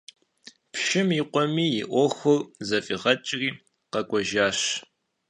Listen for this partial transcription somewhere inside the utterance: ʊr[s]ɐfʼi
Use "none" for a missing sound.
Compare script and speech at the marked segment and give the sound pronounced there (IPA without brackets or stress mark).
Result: z